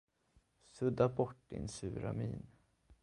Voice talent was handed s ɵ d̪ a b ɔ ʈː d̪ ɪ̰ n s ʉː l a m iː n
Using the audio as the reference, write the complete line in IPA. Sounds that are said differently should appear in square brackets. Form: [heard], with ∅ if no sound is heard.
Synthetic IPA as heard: s ɵ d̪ a b ɔ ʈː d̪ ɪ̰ n s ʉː [ɾ] a m iː n